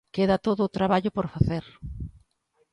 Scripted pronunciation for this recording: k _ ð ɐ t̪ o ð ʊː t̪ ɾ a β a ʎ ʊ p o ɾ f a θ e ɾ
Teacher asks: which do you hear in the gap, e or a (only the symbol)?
e